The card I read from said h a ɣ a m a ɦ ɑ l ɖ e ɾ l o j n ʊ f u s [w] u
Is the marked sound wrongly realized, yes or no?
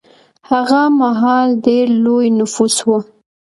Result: no